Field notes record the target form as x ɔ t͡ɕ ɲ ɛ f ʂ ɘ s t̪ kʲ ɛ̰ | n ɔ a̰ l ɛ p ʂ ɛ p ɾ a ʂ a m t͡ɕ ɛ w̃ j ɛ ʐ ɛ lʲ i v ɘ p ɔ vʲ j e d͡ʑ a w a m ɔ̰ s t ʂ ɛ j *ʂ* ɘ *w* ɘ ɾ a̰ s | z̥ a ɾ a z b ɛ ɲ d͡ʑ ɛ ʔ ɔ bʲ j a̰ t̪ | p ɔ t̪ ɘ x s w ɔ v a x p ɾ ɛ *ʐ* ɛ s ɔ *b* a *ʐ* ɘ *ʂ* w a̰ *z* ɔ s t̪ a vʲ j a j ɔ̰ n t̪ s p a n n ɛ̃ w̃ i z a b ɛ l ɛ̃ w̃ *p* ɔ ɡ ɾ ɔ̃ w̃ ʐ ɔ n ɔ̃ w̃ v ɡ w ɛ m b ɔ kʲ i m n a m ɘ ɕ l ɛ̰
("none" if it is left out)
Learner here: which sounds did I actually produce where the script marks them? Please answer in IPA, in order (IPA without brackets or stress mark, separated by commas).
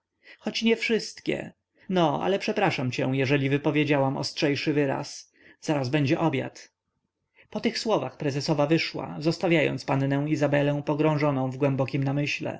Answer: ʂ, v, z, v, v, ʂ, z, p